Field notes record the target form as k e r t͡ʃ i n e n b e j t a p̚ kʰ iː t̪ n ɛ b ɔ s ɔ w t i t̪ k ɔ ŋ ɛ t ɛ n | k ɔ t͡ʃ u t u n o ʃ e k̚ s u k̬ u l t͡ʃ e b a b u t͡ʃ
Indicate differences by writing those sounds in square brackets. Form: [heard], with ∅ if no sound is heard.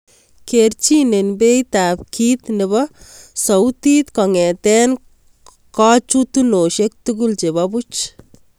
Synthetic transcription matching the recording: k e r t͡ʃ i n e n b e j t a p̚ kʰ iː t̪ n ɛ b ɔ s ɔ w t i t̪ k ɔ ŋ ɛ t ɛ n | k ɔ t͡ʃ u t u n o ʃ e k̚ [t] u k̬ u l t͡ʃ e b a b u t͡ʃ